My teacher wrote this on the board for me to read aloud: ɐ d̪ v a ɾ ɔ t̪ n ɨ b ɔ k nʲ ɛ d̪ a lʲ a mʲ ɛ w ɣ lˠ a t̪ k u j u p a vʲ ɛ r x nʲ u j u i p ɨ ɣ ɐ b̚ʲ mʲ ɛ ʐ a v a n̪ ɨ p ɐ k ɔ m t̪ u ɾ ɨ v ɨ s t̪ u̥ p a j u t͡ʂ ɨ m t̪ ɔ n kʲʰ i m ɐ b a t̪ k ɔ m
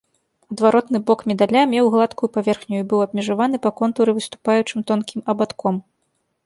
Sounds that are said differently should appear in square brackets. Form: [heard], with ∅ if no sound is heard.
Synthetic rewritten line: ɐ d̪ v a ɾ ɔ t̪ n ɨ b ɔ k [mʲ] ɛ d̪ a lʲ a mʲ ɛ w ɣ lˠ a t̪ k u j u p a vʲ ɛ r x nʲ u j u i [b] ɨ [w] ɐ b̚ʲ mʲ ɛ ʐ a v a n̪ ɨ p ɐ k ɔ [n] t̪ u ɾ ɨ v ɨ s t̪ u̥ p a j u t͡ʂ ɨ m t̪ ɔ n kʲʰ i m ɐ b a t̪ k ɔ m